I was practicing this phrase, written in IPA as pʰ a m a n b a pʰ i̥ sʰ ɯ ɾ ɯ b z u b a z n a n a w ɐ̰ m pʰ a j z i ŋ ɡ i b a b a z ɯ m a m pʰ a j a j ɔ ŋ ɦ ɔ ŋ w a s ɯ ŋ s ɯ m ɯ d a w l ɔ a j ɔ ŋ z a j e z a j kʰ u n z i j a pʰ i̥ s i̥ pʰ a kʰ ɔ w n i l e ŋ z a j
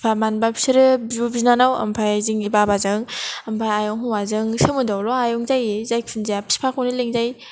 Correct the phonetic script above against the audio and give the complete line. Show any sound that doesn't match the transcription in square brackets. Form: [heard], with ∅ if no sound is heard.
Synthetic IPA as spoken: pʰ a m a n b a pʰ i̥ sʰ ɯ ɾ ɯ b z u b [i] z n a n a w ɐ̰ m pʰ a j z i ŋ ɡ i b a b a z ɯ [ŋ] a m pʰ a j a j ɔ ŋ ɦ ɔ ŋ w a [z] ɯ ŋ s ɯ m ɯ d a w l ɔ a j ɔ ŋ z a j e z a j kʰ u n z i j a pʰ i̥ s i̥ pʰ a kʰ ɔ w n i l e ŋ z a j